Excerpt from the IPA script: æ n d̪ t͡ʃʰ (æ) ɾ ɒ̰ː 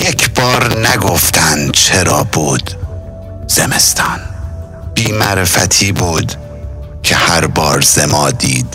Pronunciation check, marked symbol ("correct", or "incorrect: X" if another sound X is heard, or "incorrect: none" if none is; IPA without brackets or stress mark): incorrect: e